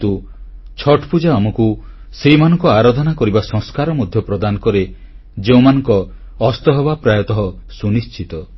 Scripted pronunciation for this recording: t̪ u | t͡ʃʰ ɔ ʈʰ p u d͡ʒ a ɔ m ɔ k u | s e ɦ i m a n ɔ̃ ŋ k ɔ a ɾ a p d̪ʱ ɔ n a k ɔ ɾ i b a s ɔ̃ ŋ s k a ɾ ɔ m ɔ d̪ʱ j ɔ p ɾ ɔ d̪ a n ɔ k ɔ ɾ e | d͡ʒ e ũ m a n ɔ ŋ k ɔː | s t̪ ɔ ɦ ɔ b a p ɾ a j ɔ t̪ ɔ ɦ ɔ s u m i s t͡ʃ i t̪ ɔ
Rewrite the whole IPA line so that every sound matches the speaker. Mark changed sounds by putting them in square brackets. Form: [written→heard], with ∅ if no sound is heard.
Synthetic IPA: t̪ u | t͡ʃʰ ɔ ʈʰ p u d͡ʒ a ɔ m ɔ k u | s e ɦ i m a n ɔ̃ ŋ k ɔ a ɾ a [p→∅] d̪ʱ ɔ n a k ɔ ɾ i b a s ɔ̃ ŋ s k a ɾ ɔ m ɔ d̪ʱ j ɔ p ɾ ɔ d̪ a n ɔ k ɔ ɾ e | d͡ʒ e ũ m a n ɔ ŋ k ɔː | s t̪ ɔ ɦ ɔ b a p ɾ a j ɔ t̪ ɔ ɦ ɔ s u [m→n] i s t͡ʃ i t̪ ɔ